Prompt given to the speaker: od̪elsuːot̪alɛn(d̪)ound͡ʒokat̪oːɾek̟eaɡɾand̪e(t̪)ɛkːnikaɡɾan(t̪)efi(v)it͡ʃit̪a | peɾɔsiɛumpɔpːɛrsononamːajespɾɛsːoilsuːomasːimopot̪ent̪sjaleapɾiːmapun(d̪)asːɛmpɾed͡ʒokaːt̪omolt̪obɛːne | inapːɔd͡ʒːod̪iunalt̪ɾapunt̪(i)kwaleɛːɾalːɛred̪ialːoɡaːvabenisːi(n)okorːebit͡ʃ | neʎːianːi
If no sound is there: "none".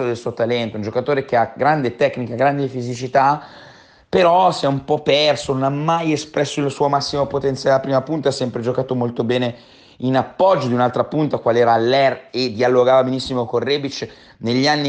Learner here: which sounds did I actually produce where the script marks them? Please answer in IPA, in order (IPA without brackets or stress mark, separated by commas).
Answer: t̪, t̪, d̪, z, t̪, a, m